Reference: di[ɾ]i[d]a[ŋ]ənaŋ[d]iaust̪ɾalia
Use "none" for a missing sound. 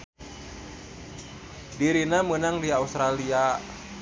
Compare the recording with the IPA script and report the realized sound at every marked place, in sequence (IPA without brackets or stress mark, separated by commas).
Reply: ɾ, n, m, d